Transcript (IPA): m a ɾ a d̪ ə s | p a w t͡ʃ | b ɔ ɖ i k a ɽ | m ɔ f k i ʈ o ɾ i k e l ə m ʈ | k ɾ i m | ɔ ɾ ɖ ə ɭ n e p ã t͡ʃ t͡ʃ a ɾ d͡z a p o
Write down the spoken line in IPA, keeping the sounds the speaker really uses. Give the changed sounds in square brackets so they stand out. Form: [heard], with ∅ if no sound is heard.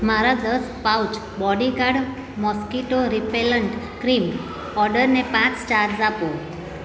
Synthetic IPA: m a ɾ a d̪ ə s | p a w t͡ʃ | b ɔ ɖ i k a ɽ | m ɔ [s] k i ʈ o ɾ i [p] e l ə [ɳ] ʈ | k ɾ i m | ɔ ɾ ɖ ə [ɾ] n e p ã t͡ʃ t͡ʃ a ɾ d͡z a p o

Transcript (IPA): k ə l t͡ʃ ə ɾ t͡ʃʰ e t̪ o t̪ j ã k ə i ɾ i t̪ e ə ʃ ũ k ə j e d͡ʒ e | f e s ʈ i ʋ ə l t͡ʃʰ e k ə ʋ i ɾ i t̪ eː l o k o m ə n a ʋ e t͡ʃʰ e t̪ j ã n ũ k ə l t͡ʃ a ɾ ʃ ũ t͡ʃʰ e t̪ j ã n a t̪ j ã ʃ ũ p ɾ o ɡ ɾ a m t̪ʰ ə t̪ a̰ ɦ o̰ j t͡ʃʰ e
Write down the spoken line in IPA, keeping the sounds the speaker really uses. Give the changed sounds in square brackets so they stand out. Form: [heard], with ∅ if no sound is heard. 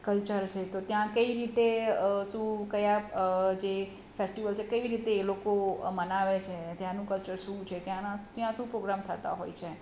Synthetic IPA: k ə l t͡ʃ ə ɾ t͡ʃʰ e t̪ o t̪ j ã k ə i ɾ i t̪ e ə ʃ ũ k ə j [a] d͡ʒ e | f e s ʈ i ʋ ə l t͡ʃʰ e k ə ʋ i ɾ i t̪ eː l o k o m ə n a ʋ e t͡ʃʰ e t̪ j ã n ũ k ə l t͡ʃ [ə] ɾ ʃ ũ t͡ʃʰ e t̪ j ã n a t̪ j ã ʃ ũ p ɾ o ɡ ɾ a m t̪ʰ ə t̪ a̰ ɦ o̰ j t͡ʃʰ e

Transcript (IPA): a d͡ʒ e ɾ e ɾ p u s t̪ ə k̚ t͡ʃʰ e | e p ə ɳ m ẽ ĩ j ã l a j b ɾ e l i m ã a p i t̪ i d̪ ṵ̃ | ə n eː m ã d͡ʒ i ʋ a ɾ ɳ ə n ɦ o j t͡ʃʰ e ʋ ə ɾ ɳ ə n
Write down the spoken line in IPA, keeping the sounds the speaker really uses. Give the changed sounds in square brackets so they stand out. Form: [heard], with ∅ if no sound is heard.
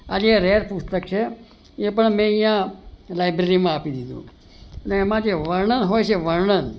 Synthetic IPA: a d͡ʒ e ɾ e ɾ p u s t̪ ə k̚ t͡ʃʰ e | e p ə ɳ m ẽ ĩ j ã l a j b ɾ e [ɾ] i m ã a p i [d̪] i d̪ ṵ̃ | ə n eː m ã d͡ʒ [e] ʋ [ə] ɾ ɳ ə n ɦ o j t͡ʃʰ e ʋ ə ɾ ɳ ə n

